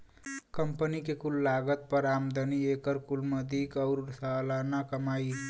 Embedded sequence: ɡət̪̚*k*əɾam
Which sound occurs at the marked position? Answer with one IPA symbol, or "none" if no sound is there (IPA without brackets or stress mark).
p